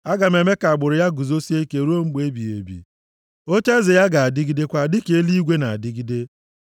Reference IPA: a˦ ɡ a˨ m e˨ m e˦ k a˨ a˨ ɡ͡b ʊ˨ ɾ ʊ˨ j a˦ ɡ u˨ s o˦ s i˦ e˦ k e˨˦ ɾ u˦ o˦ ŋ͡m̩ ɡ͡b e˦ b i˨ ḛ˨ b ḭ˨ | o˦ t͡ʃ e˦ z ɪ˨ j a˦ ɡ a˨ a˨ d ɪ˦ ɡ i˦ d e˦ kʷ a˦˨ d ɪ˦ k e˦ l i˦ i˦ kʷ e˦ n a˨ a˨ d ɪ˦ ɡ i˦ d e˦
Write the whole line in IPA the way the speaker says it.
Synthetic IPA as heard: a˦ ɡ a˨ m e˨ m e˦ k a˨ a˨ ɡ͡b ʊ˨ ɾ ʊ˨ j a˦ ɡ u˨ z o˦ s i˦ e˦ k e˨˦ ɾ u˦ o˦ ŋ͡m̩ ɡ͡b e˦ b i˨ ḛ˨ b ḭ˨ | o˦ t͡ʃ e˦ z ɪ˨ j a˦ ɡ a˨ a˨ d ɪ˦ ɡ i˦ d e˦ kʷ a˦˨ d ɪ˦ k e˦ l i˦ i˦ ɡʷ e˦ n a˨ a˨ d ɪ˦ ɡ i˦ d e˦